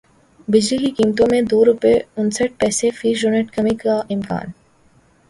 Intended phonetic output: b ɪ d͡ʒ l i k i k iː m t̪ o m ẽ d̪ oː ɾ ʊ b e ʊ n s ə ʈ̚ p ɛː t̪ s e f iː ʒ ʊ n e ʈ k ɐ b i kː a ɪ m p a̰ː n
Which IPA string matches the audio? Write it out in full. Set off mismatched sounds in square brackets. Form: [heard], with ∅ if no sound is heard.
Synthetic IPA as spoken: b ɪ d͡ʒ l i k i k iː m t̪ [õ] m ẽ d̪ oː ɾ ʊ [p] e ʊ n s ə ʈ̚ p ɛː [∅] s e f iː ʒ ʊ n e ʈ k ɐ [m] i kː a ɪ m [k] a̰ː n